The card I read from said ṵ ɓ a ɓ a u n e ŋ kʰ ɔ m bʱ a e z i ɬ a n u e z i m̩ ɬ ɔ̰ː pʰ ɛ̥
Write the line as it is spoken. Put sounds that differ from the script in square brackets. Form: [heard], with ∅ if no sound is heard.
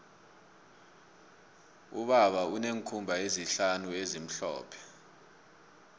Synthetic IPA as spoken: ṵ ɓ a ɓ a u n e ŋ kʰ [u] m bʱ a e z i ɬ a n u e z i m̩ ɬ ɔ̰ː pʰ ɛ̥